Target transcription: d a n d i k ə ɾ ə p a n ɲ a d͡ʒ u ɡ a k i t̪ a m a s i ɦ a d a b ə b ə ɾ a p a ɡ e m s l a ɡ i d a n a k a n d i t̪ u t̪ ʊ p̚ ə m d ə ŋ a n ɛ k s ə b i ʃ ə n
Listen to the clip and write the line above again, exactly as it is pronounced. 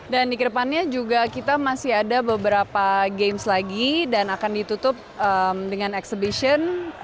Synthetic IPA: d a n d i k ə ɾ ə p a n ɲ a d͡ʒ u ɡ a k i t̪ a m a s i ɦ a d a b ə b ə ɾ a p a ɡ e m s l a ɡ i d a n a k a n d i t̪ u t̪ ʊ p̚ ə m d ə ŋ a n ɛ k s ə b i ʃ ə n